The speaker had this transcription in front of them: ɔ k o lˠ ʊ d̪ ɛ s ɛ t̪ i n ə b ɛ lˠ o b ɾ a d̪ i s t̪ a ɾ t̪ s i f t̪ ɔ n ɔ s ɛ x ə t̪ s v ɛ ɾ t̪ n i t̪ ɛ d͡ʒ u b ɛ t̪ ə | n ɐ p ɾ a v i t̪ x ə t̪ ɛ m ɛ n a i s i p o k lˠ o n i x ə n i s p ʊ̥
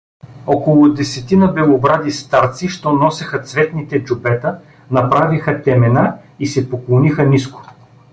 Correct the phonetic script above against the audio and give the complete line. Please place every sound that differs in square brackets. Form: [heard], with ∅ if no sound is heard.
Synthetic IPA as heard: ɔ k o lˠ ʊ d̪ ɛ s ɛ t̪ i n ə b ɛ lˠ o b ɾ a d̪ i s t̪ a ɾ t̪ s i [ʃ] t̪ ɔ n ɔ s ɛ x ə t̪ s v ɛ [∅] t̪ n i t̪ ɛ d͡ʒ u b ɛ t̪ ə | n ɐ p ɾ a v i [∅] x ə t̪ ɛ m ɛ n a i s [ɛ] p o k lˠ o n i x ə n i s [k] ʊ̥